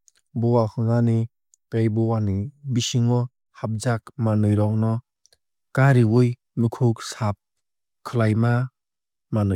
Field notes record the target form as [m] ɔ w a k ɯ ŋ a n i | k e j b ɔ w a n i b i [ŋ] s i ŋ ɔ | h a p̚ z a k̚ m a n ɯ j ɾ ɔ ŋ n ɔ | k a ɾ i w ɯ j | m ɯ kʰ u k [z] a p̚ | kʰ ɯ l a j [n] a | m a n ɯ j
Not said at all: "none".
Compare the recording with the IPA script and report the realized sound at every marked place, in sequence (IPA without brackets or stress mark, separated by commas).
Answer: b, none, s, m